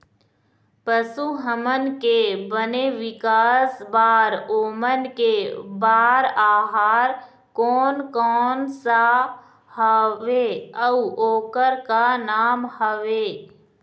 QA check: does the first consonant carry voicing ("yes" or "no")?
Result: no